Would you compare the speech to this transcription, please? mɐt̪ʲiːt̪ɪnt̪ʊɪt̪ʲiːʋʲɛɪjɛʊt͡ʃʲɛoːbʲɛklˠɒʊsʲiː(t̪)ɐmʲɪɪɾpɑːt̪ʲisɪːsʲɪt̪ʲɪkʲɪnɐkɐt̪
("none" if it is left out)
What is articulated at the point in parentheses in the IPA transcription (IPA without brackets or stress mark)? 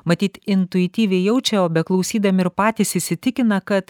d̪